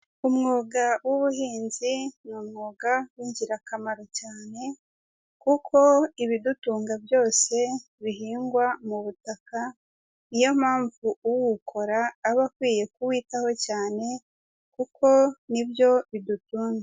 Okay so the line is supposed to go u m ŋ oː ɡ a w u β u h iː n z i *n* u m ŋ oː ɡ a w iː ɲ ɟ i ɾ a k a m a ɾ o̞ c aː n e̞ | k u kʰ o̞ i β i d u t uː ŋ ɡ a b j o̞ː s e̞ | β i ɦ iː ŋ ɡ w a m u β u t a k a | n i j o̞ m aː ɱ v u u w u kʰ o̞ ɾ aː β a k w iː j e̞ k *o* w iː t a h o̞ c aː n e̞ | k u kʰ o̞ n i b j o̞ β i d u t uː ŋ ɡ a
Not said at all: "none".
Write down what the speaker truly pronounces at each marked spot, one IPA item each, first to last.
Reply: n, u

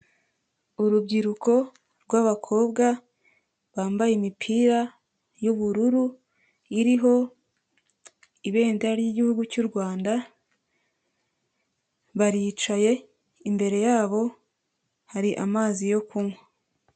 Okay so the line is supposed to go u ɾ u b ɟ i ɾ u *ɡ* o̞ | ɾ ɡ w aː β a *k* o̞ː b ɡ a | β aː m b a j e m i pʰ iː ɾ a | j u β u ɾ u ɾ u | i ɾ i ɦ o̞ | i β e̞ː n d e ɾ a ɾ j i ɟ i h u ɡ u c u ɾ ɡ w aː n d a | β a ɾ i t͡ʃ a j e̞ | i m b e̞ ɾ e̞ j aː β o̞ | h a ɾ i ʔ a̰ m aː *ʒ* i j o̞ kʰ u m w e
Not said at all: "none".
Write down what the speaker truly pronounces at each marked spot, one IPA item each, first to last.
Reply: k, kʰ, z

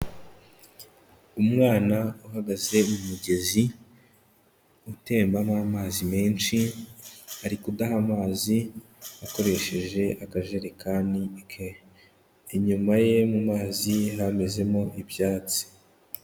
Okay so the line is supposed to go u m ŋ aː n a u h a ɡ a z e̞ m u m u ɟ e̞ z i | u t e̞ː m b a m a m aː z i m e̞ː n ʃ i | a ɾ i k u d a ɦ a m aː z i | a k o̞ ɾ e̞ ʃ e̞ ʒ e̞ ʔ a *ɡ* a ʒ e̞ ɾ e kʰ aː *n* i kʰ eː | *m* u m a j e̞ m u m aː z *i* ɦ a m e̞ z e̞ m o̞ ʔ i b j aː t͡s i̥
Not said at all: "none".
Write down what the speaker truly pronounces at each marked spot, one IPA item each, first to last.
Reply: k, n, ɲ, i

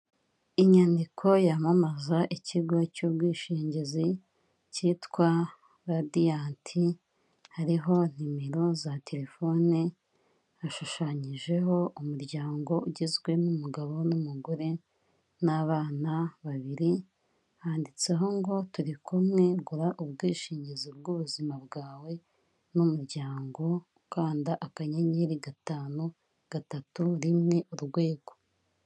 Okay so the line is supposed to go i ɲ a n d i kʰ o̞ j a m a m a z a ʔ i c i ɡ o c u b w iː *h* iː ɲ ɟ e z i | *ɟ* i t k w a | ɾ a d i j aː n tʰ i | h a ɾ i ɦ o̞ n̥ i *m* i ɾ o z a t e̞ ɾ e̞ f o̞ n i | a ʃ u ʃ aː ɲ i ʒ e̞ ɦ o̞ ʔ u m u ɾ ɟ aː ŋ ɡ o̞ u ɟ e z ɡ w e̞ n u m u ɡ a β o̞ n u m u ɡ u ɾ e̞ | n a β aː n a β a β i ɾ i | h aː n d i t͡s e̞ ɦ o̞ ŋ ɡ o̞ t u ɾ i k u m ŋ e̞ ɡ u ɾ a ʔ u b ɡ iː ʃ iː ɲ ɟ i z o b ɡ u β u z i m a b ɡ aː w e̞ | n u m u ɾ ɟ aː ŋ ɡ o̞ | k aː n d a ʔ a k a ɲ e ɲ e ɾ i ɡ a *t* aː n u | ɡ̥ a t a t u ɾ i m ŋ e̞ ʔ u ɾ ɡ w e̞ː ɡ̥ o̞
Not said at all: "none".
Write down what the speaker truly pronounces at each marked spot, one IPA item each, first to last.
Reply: ʃ, c, m, t

